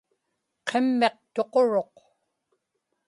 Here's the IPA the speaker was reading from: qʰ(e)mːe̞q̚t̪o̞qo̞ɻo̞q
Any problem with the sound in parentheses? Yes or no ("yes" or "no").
no